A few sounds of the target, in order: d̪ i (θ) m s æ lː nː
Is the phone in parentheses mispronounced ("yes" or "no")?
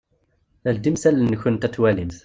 yes